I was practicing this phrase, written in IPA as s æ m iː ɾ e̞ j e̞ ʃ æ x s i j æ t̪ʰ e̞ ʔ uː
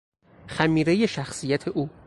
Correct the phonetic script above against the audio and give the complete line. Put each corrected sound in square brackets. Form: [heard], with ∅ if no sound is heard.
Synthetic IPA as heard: [x] æ m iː ɾ e̞ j e̞ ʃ æ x s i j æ t̪ʰ e̞ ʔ uː